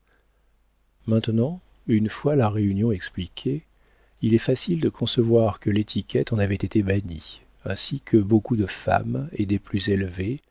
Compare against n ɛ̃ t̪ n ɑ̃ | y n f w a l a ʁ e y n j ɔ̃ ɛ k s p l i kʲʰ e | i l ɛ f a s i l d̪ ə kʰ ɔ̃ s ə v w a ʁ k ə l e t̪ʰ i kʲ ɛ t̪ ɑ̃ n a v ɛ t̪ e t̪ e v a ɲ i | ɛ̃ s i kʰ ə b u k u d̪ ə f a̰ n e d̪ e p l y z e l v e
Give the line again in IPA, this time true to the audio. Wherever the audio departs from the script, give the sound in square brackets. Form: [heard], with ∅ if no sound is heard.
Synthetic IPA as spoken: [m] ɛ̃ t̪ n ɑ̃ | y n f w a l a ʁ e y n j ɔ̃ ɛ k s p l i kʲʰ e | i l ɛ f a s i l d̪ ə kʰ ɔ̃ s ə v w a ʁ k ə l e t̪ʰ i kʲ ɛ t̪ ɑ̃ n a v ɛ t̪ e t̪ e [b] a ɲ i | ɛ̃ s i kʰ ə b [o] k u d̪ ə f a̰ [m] e d̪ e p l y z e l v e